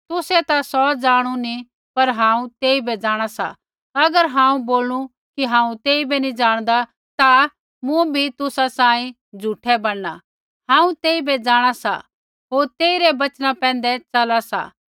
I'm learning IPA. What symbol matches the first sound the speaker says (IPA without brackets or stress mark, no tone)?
t̪